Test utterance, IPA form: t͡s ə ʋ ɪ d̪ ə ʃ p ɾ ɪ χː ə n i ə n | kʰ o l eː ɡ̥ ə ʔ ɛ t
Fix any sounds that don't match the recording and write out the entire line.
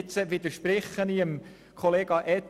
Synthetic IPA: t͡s ə ʋ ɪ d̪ ə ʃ p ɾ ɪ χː ə n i ə m | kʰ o l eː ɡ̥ ɑ ʔ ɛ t